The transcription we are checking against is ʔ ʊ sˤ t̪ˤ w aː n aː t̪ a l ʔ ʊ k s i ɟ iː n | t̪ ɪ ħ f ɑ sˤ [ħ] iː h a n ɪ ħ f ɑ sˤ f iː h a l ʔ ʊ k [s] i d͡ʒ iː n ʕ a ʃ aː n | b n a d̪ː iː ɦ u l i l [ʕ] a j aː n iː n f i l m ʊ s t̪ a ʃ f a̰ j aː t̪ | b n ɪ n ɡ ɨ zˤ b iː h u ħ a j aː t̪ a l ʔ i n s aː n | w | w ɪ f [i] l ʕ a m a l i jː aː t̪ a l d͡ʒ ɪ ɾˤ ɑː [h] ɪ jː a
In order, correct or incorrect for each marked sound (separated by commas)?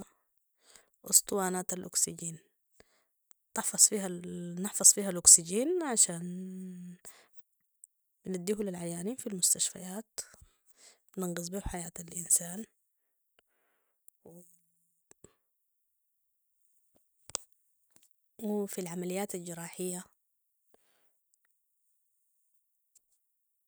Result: incorrect, correct, correct, correct, incorrect